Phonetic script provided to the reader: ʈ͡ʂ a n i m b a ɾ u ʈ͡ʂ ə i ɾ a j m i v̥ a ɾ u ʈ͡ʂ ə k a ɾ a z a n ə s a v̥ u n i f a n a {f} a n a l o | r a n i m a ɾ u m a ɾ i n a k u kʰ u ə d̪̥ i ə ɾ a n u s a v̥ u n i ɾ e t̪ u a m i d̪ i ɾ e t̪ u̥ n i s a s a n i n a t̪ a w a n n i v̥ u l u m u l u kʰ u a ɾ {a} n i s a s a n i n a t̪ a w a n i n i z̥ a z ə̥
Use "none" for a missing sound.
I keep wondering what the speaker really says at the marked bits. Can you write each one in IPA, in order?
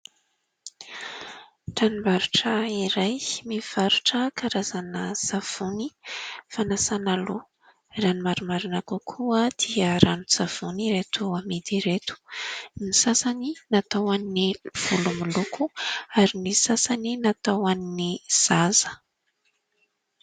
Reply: s, i

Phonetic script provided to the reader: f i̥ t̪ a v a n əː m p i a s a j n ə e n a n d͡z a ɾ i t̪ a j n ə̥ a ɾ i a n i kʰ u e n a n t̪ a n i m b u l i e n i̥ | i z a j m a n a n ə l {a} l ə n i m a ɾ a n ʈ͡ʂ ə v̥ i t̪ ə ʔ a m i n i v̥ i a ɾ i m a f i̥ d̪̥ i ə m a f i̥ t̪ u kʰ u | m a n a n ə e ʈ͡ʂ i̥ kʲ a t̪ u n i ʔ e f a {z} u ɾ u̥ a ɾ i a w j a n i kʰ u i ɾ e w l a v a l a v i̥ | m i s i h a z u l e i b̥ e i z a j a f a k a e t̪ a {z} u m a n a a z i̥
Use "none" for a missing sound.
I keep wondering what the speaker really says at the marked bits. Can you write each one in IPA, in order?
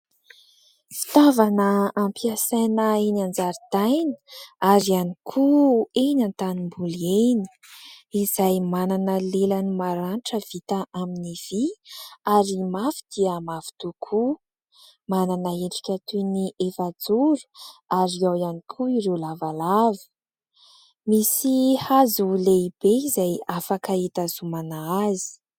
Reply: e, d͡z, z

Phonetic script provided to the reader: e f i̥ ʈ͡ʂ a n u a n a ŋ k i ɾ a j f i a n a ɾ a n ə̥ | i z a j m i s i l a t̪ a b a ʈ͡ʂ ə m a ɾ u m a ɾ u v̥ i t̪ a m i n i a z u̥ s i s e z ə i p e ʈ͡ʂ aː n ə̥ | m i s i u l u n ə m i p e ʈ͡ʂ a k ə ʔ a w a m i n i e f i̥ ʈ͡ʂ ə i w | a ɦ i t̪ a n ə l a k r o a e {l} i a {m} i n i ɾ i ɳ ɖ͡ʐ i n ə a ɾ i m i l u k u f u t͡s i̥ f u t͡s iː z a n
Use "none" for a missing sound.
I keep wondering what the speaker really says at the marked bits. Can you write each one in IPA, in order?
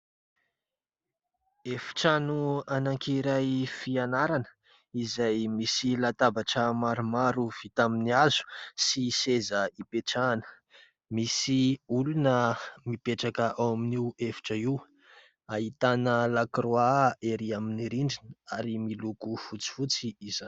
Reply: ɾ, m

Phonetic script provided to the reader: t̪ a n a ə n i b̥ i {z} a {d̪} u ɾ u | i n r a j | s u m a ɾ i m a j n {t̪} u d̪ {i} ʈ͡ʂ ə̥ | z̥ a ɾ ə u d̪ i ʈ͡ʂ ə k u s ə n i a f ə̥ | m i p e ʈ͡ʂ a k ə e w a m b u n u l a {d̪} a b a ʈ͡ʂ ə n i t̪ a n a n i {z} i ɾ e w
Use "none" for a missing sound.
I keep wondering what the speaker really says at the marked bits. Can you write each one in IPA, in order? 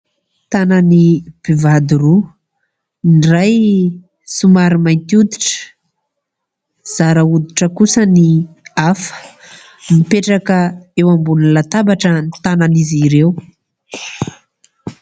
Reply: v, d̪, t̪, i, t̪, z

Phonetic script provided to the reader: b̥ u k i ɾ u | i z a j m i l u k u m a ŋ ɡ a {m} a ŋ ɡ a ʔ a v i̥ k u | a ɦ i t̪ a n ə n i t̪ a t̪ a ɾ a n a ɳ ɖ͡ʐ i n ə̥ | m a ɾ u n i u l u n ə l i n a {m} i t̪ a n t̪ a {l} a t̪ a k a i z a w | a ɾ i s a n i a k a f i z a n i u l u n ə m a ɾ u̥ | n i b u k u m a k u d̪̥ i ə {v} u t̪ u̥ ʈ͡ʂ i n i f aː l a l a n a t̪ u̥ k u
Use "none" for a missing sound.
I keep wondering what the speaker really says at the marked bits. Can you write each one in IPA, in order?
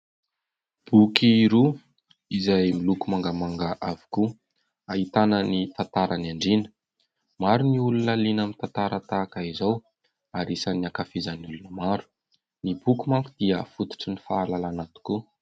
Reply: m, m, ɾ, f

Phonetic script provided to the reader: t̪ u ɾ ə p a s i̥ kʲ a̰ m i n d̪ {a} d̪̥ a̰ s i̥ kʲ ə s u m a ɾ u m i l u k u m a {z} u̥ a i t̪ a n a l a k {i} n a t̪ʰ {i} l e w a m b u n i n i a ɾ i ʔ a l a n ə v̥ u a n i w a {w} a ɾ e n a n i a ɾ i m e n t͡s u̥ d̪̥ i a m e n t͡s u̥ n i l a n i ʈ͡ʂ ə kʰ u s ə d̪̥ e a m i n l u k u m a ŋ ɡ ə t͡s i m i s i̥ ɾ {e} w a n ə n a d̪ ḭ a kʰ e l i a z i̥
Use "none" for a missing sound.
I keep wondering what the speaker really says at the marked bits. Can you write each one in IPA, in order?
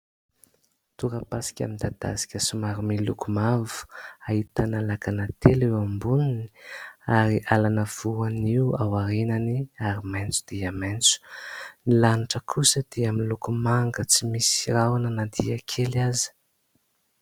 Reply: a, v, a, e, w, a

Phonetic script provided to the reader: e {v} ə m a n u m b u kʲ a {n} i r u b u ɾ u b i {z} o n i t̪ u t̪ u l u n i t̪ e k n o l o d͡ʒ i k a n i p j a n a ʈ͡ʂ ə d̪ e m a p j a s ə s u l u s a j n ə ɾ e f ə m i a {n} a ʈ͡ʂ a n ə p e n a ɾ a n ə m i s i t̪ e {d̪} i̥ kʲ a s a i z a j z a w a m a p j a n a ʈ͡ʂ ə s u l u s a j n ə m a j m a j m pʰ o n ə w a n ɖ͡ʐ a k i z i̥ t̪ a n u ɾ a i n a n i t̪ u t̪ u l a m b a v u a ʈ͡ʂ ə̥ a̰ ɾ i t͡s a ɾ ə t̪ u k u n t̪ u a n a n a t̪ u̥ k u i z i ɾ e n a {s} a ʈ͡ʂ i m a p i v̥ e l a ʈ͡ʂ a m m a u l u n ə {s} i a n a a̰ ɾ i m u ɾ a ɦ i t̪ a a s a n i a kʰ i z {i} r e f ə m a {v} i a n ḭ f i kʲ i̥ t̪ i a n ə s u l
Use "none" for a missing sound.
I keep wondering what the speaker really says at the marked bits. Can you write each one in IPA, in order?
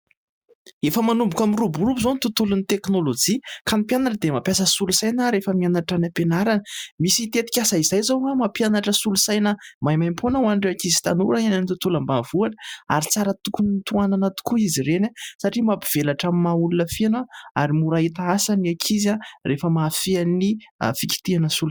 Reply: f, m, z, n, t̪, s, f, a, f

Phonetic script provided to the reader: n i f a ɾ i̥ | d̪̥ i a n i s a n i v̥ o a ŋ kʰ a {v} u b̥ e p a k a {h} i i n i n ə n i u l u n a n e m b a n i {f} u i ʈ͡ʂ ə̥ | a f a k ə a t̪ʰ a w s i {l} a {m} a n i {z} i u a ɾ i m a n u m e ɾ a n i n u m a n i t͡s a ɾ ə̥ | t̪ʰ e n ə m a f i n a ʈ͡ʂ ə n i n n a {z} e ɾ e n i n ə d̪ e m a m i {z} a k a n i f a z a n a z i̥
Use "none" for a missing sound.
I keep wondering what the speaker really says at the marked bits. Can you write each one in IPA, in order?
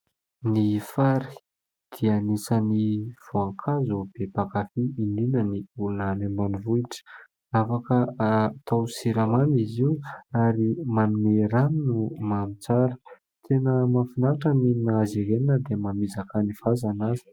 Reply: z, f, v, ɾ, m, z, z, z

